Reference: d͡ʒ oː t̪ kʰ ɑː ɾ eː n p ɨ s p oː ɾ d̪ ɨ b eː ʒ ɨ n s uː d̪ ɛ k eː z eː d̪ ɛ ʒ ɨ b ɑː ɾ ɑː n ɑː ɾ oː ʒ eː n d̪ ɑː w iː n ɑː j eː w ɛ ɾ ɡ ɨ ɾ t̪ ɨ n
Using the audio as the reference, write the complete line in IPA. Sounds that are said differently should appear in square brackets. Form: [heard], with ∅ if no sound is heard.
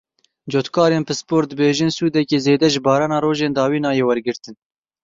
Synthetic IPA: d͡ʒ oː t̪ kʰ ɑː ɾ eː n p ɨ s p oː ɾ d̪ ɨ b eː ʒ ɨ n s uː d̪ ɛ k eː z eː d̪ ɛ ʒ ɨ b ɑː ɾ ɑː n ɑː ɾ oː ʒ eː n d̪ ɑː w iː n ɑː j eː w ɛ ɾ ɡ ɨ ɾ t̪ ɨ n